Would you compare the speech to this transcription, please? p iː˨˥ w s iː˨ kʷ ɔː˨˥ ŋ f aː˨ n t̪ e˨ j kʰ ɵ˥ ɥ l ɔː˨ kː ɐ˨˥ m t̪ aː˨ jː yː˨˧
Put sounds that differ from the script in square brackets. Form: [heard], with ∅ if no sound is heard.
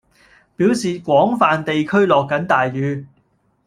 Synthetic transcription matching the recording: p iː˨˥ w s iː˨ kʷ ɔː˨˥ ŋ f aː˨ n t̪ e˨ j kʰ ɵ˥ ɥ l ɔː˨ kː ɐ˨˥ [n] t̪ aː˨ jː yː˨˧